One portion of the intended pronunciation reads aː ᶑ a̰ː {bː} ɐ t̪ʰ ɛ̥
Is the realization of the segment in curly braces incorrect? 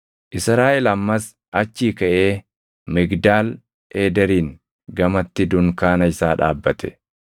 no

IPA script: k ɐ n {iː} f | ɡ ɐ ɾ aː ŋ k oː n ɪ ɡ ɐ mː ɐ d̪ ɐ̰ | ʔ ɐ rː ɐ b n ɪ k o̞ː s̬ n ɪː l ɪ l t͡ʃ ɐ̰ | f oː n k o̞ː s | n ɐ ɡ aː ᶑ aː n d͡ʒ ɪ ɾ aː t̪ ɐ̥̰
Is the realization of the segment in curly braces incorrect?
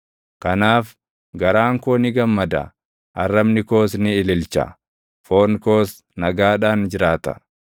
yes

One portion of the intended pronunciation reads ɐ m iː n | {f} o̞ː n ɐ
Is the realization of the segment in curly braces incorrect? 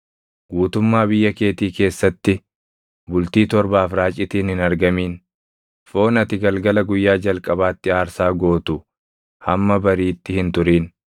no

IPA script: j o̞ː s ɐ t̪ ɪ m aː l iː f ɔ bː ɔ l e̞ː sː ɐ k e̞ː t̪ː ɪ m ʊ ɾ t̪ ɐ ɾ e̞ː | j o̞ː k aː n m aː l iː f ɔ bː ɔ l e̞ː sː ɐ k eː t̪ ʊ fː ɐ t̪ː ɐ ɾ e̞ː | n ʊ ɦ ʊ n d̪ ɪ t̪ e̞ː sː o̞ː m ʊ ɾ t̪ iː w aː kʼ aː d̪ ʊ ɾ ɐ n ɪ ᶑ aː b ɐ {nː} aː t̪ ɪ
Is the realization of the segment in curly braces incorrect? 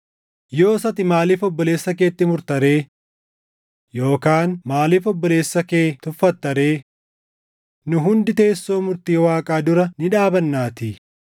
no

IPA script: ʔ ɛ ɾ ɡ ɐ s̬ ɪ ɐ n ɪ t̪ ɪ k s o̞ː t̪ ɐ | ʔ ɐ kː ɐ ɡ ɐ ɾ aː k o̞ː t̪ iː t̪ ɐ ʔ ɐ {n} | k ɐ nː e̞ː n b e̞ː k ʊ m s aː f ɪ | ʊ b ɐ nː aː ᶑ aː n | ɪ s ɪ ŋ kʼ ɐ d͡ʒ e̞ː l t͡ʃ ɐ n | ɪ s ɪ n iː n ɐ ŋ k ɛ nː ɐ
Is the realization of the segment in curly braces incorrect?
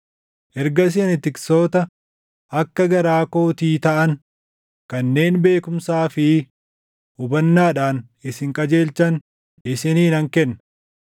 no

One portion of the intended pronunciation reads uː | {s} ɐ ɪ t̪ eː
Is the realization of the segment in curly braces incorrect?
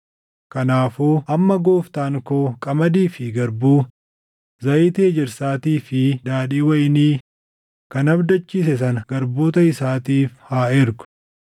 yes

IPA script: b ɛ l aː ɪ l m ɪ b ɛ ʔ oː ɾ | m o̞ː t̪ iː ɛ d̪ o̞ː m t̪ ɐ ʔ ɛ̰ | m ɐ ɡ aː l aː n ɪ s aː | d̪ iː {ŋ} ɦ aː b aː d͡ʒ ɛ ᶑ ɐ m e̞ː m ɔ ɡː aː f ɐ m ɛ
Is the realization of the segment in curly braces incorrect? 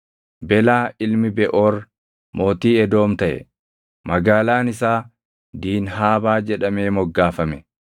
yes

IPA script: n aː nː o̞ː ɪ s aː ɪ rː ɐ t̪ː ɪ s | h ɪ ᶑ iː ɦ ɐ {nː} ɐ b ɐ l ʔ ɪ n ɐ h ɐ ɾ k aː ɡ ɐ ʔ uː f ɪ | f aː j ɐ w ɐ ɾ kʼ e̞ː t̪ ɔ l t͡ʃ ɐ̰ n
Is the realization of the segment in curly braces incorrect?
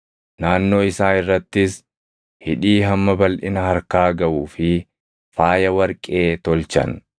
yes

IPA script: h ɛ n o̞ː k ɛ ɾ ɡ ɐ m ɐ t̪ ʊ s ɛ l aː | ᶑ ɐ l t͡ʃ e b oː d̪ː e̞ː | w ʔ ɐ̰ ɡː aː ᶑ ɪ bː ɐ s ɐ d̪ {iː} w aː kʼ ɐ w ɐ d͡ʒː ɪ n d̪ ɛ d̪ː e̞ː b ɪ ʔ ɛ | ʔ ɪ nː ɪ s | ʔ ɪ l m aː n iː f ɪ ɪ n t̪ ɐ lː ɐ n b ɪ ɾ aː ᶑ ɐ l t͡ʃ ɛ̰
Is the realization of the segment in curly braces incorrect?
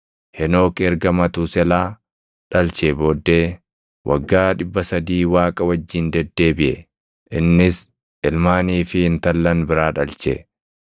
no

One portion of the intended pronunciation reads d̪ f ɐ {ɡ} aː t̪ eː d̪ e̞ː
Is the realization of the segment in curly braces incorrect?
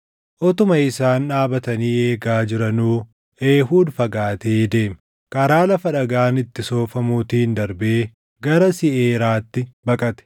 no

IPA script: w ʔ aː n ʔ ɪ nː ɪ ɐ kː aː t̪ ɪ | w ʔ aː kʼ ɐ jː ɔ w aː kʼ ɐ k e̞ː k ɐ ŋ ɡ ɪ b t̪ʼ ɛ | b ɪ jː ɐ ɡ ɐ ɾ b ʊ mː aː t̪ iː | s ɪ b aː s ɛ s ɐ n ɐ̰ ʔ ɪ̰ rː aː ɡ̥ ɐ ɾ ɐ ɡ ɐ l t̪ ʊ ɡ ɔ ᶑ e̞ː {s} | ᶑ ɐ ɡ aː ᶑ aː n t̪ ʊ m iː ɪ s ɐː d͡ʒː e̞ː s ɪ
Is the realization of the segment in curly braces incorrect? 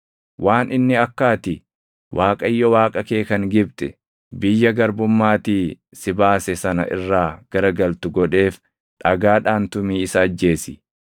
yes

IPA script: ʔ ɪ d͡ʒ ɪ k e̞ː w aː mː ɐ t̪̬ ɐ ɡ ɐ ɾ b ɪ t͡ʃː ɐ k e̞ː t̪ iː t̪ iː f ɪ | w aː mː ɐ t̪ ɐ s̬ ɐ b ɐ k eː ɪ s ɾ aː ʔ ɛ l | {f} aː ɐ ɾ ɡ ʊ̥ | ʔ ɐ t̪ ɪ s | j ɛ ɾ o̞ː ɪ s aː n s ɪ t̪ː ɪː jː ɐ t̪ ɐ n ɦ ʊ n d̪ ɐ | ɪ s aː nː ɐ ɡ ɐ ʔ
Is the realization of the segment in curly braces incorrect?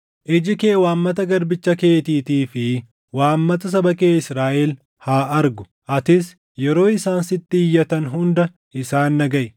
yes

